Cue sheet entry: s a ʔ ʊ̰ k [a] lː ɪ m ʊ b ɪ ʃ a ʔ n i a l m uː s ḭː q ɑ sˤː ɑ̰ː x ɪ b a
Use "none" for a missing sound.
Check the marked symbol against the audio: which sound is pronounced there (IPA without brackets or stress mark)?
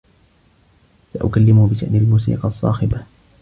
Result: a